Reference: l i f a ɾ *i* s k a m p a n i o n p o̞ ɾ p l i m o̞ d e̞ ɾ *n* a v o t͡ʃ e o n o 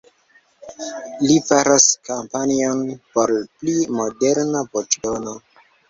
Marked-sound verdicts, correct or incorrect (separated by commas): incorrect, correct